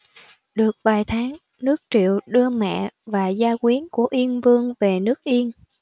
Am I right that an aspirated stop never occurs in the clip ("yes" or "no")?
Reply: no